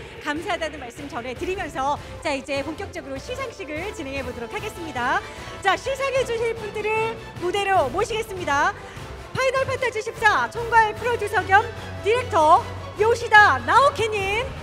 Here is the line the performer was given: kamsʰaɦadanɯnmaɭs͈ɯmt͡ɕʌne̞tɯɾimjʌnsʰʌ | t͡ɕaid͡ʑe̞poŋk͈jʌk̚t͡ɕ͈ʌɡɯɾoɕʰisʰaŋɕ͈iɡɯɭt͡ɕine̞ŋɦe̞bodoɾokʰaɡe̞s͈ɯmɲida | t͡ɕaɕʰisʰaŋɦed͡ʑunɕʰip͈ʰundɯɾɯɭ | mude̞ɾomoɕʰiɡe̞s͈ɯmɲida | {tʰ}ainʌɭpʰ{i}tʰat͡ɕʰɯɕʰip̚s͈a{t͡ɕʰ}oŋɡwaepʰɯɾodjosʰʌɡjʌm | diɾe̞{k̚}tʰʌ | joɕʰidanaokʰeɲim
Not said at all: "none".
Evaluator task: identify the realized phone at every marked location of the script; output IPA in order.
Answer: pʰ, a, t͡ɕʰ, k̚

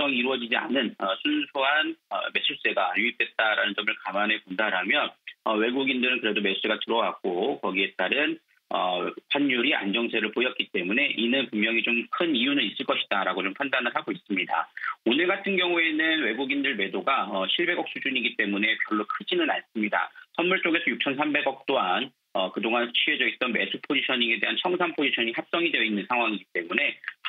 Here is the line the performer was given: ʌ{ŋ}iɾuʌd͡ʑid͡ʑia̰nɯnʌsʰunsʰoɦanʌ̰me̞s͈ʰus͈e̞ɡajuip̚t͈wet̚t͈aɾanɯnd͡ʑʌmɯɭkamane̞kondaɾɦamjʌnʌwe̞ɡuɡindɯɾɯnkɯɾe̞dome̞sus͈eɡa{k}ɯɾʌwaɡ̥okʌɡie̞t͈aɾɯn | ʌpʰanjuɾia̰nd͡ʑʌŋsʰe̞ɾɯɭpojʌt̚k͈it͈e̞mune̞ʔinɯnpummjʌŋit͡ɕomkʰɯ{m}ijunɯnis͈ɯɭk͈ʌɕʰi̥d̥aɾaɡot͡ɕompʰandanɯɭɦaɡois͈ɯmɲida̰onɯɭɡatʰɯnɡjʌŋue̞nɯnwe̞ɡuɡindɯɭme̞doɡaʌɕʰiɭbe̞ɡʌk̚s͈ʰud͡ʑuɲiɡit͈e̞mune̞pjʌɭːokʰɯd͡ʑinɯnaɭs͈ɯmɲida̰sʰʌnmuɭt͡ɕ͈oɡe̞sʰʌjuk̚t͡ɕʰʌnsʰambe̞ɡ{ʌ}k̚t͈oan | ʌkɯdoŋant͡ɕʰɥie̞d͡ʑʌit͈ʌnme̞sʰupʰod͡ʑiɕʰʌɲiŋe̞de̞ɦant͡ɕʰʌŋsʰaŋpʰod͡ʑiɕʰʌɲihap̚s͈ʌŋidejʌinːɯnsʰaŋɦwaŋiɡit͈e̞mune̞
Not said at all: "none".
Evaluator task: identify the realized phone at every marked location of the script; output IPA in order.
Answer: ŋ, t, n, ʌ

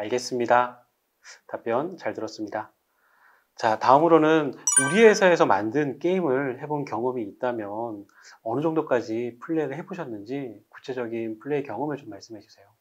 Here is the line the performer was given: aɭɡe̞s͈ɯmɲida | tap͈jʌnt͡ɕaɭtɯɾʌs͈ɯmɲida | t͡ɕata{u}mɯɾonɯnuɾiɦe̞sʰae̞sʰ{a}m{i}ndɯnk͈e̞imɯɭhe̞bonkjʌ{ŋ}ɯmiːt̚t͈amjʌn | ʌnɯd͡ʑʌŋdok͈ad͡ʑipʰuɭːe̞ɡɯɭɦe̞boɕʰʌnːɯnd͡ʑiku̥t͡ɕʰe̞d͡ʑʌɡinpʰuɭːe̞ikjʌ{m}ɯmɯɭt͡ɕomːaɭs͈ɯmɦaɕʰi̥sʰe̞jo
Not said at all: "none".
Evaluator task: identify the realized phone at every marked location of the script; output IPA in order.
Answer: ɯ, ʌ, a, ŋ, ŋ

